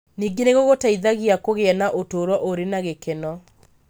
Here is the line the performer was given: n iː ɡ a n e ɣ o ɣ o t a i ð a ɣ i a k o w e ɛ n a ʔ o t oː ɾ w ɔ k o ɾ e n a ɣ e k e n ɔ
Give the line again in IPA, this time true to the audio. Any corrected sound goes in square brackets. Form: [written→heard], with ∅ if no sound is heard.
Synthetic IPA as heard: n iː ɡ [a→e] n e ɣ o ɣ o t a i ð a ɣ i a k o [w→ɣ] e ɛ n a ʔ o t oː ɾ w ɔ [k→ʔ] o ɾ e n a ɣ e k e n ɔ